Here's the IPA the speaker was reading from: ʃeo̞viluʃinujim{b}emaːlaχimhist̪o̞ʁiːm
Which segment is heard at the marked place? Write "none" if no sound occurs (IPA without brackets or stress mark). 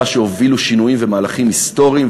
v